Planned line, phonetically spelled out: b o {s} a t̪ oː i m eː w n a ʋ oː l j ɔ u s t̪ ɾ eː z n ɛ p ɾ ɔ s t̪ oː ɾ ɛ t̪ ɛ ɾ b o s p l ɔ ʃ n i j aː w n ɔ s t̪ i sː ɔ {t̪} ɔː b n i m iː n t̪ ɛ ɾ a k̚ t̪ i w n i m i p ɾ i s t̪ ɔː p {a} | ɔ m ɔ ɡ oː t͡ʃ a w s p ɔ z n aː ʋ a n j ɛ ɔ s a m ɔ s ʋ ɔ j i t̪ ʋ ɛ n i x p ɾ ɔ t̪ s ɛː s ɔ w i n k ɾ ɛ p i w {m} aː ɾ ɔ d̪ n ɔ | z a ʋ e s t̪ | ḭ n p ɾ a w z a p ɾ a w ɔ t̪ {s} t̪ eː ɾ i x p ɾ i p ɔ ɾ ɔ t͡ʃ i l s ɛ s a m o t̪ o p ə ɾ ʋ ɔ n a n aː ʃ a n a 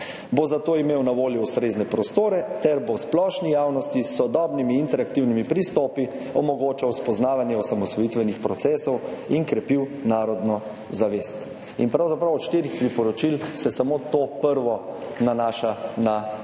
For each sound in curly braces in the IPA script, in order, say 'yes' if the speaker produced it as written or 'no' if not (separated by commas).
no, no, no, no, no